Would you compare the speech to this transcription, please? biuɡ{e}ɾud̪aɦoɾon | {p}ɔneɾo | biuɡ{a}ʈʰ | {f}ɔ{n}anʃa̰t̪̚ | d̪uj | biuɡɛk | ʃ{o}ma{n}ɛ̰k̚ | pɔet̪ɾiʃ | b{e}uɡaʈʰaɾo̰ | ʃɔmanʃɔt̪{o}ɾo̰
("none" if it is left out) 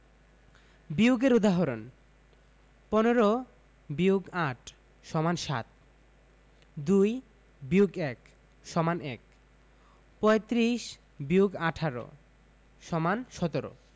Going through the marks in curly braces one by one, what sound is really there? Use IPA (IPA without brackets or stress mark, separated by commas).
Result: e, p, a, ʃ, m, ɔ, n, i, o